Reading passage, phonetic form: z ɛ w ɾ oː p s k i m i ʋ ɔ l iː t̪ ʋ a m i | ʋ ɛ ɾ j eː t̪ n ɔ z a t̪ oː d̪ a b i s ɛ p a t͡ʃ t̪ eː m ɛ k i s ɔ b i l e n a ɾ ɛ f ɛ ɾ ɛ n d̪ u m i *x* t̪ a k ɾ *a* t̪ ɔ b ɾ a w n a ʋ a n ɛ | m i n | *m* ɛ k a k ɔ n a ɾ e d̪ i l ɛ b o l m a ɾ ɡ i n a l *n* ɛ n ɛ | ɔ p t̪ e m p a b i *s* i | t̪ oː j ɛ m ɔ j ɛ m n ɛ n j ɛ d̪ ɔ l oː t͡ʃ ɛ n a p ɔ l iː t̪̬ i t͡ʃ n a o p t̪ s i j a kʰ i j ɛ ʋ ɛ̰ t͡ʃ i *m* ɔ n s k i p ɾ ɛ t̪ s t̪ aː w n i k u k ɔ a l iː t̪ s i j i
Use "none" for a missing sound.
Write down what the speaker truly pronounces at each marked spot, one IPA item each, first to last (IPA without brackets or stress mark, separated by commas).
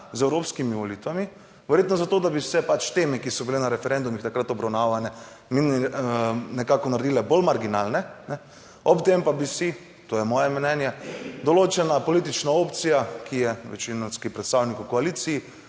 x, a, n, n, s, n